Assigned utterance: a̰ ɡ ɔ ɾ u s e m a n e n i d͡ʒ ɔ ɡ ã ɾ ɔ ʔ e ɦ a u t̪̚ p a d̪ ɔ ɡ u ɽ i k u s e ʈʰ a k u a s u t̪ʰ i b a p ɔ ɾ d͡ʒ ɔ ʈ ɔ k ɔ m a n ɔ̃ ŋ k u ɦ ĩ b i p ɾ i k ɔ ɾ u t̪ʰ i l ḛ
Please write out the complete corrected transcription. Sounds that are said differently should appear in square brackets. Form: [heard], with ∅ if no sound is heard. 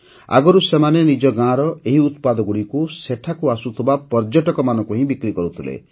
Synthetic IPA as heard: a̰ ɡ ɔ ɾ u s e m a n e n i d͡ʒ ɔ ɡ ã ɾ ɔ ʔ e ɦ [i] u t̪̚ p a d̪ ɔ ɡ u ɽ i k u s e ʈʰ a k u a s u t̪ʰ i b a p ɔ ɾ d͡ʒ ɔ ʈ ɔ k ɔ m a n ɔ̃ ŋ k u ɦ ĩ b i [k] ɾ i k ɔ ɾ u t̪ʰ i l ḛ